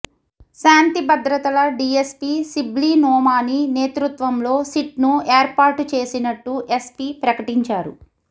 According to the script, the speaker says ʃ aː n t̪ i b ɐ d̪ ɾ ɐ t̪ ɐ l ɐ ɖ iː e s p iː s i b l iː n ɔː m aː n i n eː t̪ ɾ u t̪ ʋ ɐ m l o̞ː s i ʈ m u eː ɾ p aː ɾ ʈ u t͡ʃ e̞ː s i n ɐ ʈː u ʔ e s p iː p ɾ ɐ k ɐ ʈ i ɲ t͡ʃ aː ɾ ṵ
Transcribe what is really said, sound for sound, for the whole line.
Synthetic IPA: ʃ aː n t̪ i b ɐ d̪ ɾ ɐ t̪ ɐ l ɐ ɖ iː e s p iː s i b l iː n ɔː m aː n i n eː t̪ ɾ u t̪ ʋ ɐ m l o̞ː s i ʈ n u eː ɾ p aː ɾ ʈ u t͡ʃ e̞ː s i n ɐ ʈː u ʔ e s p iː p ɾ ɐ k ɐ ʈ i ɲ t͡ʃ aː ɾ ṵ